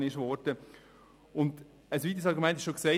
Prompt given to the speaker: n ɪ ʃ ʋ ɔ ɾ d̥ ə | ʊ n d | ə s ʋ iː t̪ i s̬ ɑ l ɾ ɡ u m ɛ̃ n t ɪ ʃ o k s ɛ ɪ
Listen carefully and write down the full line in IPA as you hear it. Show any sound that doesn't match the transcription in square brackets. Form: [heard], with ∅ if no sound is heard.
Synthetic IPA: n ɪ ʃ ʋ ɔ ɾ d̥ ə | ʊ n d | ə s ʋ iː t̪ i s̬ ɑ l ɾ ɡ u m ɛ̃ n t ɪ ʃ o k s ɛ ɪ